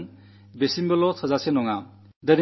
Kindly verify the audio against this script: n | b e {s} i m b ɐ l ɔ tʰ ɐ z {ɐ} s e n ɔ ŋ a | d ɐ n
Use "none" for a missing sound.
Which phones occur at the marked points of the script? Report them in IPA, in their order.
s, a

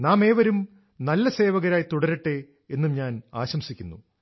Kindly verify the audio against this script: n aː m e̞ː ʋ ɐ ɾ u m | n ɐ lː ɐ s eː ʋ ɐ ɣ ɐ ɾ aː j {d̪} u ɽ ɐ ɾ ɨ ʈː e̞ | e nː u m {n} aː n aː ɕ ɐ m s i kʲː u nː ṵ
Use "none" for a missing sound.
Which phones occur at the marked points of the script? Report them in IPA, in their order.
t̪, ɲ

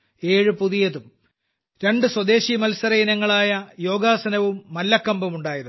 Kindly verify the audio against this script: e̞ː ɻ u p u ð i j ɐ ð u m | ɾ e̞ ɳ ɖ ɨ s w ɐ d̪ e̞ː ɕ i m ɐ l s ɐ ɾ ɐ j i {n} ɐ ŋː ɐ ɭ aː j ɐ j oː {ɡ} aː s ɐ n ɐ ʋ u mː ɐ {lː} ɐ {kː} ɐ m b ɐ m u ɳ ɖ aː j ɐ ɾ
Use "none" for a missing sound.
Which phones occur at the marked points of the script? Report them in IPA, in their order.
n, ɡ, lː, kː

